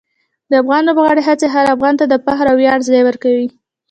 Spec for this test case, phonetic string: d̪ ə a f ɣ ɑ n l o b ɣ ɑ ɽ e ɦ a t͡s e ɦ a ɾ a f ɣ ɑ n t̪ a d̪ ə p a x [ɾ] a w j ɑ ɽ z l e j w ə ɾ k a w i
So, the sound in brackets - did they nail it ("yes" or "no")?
yes